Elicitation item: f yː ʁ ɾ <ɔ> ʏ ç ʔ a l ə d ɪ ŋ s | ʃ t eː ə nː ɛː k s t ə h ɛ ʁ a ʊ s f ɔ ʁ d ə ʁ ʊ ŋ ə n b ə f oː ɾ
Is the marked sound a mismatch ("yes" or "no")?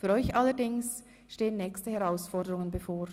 no